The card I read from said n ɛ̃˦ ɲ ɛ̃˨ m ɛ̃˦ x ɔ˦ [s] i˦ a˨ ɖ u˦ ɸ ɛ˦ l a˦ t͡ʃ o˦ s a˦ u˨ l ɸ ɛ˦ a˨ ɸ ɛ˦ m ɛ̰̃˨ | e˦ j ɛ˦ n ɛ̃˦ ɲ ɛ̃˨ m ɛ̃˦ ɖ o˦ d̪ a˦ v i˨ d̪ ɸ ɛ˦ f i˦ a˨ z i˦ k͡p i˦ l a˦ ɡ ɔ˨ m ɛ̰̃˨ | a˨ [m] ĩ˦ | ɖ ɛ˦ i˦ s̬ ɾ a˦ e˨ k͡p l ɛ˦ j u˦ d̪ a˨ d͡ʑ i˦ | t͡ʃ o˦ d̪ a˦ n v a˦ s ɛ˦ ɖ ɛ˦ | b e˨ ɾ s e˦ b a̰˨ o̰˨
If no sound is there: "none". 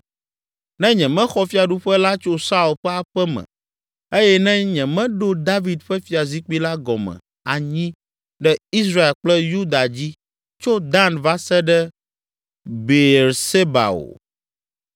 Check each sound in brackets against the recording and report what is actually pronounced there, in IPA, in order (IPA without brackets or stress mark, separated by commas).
f, ɲ